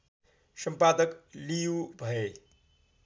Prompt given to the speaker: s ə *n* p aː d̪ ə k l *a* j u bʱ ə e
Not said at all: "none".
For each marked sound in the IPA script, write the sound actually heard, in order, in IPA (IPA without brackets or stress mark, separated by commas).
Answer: m, i